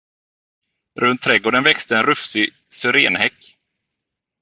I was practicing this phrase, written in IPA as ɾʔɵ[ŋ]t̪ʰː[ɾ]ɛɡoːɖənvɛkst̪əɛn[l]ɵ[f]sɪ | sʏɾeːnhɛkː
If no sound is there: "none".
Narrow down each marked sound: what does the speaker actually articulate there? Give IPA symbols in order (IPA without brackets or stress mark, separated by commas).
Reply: n, ɾ, ɾ, f